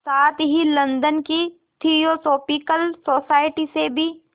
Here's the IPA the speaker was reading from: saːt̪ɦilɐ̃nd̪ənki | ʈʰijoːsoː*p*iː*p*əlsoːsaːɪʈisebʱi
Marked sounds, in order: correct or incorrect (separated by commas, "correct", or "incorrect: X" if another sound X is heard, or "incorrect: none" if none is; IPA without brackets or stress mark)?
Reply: correct, incorrect: k